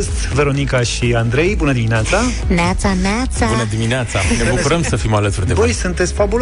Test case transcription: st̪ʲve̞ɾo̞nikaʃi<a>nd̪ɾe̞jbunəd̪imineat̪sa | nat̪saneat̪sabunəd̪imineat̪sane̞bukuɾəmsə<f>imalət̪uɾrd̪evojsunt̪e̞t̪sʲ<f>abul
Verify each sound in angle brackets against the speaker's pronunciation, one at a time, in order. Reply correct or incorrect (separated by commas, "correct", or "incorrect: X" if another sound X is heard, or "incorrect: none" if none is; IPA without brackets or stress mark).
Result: correct, correct, correct